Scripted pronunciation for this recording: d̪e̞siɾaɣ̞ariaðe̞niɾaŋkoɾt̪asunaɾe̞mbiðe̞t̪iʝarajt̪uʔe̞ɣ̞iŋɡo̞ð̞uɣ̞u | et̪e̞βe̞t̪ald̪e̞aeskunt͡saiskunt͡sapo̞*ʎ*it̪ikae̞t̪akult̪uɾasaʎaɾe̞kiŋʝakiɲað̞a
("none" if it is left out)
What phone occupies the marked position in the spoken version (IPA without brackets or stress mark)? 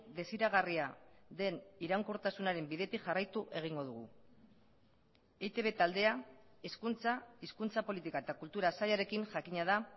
l